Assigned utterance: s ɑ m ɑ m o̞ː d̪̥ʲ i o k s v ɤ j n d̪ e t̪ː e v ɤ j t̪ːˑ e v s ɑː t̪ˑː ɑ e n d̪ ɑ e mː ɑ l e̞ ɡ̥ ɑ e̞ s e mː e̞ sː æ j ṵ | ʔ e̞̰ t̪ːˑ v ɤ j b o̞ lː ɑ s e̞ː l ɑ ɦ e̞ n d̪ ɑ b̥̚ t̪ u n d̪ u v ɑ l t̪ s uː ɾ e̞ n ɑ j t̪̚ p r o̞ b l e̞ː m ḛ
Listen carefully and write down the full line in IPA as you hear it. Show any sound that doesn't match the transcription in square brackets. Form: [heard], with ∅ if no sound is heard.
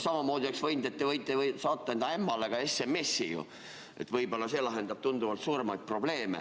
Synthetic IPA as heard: s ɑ m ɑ m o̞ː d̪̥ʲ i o k s v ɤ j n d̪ e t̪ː e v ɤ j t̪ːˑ e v s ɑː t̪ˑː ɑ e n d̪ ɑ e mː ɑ l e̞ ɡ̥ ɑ e̞ s e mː e̞ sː [i] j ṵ | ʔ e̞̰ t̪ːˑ v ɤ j b o̞ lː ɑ s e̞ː l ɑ ɦ e̞ n d̪ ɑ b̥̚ t̪ u n d̪ u v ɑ l t̪ s uː ɾ e̞ [m] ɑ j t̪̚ p r o̞ b l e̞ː m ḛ